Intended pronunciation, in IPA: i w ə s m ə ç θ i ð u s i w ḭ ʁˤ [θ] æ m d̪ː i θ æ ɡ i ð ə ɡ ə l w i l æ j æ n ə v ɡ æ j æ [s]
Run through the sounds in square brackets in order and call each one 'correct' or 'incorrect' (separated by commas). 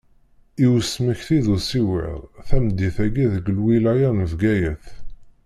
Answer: correct, incorrect